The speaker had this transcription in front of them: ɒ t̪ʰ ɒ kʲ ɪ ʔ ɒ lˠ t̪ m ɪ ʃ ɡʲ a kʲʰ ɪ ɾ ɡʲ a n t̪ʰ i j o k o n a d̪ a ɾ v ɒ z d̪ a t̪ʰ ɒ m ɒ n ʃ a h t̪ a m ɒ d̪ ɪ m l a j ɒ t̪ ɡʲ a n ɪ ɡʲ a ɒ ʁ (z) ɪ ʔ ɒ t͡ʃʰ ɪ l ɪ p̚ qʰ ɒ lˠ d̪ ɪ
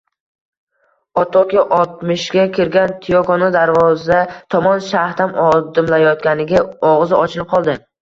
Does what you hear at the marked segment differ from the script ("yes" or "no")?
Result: no